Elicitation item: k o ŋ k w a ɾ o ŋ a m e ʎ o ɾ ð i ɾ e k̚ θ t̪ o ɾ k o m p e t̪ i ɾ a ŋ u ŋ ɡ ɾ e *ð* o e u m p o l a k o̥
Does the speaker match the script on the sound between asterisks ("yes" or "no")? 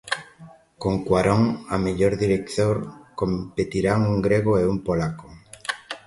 no